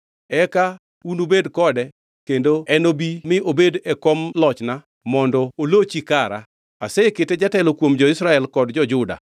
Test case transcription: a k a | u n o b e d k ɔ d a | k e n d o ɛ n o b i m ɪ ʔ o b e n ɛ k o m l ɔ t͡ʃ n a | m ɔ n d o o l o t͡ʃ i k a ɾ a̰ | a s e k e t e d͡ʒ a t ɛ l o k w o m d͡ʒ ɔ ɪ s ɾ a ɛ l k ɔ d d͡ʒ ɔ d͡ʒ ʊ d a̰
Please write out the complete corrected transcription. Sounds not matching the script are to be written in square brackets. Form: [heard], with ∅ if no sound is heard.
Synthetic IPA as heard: [ɛ] k a | u n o b e d k ɔ d [ɛ] | k e n d o ɛ n o b i m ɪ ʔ o b e [d] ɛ k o m l ɔ t͡ʃ n a | m ɔ n d [ɔ] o l o t͡ʃ i k a ɾ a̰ | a s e k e t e d͡ʒ a t ɛ l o k w o m d͡ʒ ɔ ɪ s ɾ a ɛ l k ɔ d d͡ʒ ɔ d͡ʒ ʊ d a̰